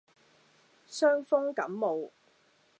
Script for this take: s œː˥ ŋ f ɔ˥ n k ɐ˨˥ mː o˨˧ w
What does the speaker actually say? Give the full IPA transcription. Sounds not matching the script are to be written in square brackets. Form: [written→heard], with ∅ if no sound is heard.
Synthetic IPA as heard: s œː˥ ŋ f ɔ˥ [n→ŋ] k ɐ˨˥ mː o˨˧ w